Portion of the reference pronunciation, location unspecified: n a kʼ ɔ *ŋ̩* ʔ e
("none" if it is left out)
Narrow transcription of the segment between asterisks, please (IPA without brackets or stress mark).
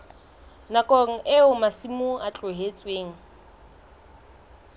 ŋ̩